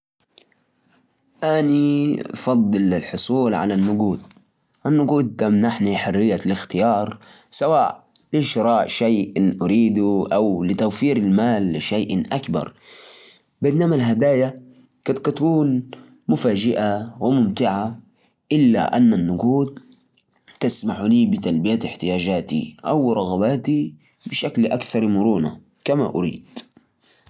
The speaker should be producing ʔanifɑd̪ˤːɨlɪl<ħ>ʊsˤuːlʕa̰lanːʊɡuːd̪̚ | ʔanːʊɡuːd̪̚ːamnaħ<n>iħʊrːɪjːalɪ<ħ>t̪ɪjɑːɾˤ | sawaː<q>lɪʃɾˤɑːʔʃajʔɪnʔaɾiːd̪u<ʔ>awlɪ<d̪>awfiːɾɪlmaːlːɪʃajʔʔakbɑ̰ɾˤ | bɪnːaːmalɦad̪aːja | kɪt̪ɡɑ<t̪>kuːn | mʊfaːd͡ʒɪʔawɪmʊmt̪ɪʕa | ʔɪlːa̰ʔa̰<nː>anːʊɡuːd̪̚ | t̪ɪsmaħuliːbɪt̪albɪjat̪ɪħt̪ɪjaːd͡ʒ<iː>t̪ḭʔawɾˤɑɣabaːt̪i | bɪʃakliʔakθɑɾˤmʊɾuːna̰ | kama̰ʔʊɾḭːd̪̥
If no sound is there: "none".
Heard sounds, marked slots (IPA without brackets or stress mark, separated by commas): ħ, n, x, ʔ, ʔ, t̪, t̪, nː, aː